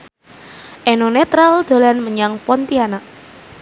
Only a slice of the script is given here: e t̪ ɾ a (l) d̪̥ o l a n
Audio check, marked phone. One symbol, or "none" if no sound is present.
l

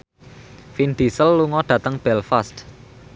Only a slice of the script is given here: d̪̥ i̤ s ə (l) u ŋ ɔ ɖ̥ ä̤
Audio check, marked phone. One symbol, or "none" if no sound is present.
lː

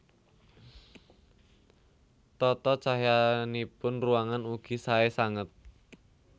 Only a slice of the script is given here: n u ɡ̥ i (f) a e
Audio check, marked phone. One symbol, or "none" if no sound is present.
s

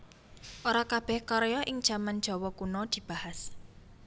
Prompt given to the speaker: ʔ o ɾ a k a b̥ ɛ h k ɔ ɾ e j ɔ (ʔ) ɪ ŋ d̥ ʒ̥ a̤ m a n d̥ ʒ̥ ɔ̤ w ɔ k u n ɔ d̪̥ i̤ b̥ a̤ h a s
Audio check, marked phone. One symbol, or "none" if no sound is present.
ʔ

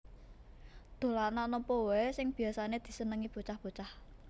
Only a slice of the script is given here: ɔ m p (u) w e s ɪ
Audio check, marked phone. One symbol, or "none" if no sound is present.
ɔ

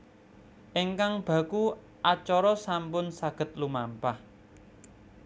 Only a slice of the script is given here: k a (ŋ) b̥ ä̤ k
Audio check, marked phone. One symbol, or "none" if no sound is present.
ŋ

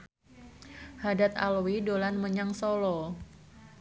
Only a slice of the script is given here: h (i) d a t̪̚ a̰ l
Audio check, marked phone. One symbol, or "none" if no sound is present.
a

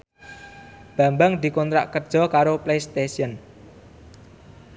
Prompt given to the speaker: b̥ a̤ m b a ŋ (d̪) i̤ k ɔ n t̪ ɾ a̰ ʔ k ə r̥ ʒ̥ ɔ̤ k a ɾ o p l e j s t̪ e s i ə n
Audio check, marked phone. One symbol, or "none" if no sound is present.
d̪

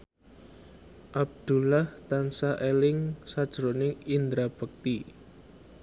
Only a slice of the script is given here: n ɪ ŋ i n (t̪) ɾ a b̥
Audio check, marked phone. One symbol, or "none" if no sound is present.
d̪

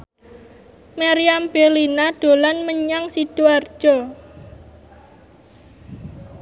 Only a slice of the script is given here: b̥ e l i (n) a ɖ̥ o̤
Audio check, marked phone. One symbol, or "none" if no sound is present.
n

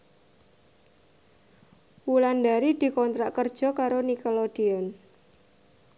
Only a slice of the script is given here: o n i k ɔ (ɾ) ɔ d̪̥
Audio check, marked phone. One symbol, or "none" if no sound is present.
l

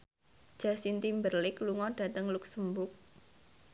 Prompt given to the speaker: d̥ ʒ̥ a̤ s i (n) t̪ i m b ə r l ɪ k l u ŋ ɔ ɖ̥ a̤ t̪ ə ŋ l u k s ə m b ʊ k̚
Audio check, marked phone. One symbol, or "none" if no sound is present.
n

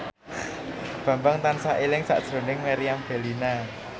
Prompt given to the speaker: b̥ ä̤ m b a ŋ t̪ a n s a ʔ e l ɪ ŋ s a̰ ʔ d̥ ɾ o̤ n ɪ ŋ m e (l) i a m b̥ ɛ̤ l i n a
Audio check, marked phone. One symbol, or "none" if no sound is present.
ɾ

